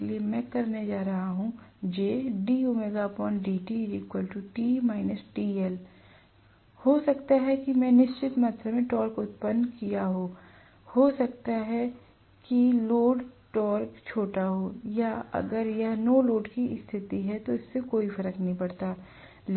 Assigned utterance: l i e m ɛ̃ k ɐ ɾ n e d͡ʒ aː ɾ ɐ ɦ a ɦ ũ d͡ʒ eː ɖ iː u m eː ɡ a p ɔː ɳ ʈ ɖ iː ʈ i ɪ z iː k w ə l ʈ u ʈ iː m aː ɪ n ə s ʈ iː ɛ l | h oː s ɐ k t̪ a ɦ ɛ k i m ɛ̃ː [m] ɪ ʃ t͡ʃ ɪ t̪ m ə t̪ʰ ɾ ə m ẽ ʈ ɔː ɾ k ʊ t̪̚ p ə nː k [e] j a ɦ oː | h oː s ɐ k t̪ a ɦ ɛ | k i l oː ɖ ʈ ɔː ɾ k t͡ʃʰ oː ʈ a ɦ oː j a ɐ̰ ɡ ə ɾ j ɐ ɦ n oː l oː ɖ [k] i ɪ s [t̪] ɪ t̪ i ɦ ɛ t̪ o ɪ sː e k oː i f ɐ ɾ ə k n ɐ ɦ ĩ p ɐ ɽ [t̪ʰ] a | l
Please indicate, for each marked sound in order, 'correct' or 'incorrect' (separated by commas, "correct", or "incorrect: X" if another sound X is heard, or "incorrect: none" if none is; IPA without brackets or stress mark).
incorrect: n, incorrect: i, correct, incorrect: t̪ʰ, incorrect: t̪